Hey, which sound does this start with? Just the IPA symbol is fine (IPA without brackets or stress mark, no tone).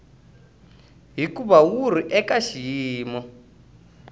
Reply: ɦ